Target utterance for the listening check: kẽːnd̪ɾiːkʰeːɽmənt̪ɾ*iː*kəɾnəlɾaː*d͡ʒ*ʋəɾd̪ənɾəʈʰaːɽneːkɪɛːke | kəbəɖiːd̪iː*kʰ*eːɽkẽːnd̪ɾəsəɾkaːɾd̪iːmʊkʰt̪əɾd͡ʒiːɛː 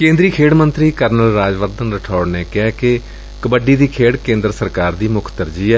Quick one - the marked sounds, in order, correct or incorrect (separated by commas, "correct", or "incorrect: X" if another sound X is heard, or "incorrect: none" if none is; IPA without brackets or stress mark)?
correct, correct, correct